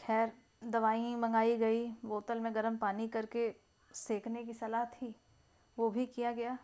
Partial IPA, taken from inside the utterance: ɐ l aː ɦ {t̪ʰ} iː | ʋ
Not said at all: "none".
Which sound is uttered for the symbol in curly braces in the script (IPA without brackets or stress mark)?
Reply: t̪ʰ